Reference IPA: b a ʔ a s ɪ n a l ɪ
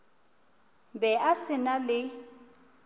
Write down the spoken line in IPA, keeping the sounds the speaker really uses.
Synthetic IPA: b ɛ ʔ a s ɪ n a l ɪ